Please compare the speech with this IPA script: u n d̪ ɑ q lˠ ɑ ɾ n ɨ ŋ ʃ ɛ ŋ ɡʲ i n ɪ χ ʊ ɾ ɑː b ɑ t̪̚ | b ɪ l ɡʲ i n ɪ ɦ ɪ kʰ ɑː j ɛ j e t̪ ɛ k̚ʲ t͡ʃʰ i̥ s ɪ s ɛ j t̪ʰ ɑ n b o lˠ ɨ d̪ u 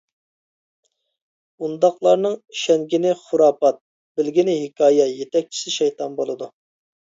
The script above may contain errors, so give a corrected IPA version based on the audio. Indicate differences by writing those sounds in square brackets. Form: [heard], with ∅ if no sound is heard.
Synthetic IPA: u n d̪ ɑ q lˠ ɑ ɾ n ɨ ŋ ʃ ɛ ŋ ɡʲ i n ɪ χ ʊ ɾ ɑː [p] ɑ t̪̚ | b ɪ l ɡʲ i n ɪ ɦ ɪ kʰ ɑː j ɛ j e t̪ ɛ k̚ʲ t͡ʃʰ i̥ s ɪ [ʃ] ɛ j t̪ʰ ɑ n b o lˠ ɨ d̪ u